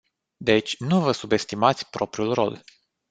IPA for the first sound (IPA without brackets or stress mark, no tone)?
d̪